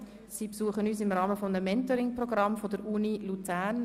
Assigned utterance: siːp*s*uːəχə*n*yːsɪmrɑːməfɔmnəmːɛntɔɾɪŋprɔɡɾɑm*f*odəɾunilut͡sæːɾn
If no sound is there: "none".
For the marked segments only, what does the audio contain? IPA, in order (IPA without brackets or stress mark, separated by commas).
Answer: s, n, f